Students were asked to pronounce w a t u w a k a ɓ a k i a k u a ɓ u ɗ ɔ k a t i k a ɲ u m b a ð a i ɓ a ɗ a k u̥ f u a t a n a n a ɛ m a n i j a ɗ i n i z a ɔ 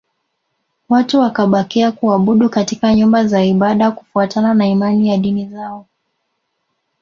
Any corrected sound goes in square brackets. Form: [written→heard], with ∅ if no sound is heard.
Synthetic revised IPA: w a t u w a k a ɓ a k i a k u a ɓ u ɗ [ɔ→u] k a t i k a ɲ u m b a [ð→z] a i ɓ a ɗ a k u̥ f u a t a n a n a [ɛ→i] m a n i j a ɗ i n i z a ɔ